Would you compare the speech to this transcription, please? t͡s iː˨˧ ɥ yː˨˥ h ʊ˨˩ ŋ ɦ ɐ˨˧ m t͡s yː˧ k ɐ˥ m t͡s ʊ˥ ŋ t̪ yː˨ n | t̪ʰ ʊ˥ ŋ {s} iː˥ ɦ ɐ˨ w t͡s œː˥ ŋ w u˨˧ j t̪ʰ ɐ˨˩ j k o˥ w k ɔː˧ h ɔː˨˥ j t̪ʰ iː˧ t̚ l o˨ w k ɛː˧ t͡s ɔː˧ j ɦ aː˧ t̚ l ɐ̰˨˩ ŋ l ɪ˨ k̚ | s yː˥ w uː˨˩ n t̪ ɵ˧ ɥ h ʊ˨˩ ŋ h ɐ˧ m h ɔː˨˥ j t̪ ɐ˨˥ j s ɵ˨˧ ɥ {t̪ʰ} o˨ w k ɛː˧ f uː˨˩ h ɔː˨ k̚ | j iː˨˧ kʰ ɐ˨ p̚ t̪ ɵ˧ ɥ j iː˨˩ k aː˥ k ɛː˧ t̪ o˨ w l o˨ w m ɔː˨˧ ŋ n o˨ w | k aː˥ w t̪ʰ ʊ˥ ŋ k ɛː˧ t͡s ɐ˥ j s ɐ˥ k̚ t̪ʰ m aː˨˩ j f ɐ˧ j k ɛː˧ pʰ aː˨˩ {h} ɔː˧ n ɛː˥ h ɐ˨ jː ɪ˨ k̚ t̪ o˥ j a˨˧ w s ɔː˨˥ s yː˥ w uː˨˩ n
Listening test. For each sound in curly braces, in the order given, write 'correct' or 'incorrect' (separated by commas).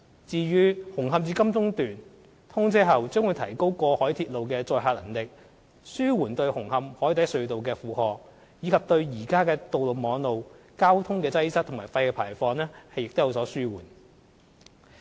incorrect, incorrect, incorrect